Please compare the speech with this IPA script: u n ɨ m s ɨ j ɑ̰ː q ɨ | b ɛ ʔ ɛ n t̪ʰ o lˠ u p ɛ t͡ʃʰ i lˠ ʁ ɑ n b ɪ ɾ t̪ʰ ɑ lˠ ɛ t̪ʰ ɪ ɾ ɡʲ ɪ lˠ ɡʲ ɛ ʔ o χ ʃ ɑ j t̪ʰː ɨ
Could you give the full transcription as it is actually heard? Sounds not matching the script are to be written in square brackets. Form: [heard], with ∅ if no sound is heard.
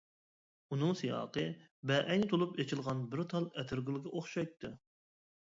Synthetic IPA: u n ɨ [ŋ] s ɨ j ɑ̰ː q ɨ | b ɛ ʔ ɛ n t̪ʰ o lˠ u p [e] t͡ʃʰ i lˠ ʁ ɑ n b ɪ ɾ t̪ʰ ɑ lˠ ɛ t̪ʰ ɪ ɾ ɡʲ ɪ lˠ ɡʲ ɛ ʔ o χ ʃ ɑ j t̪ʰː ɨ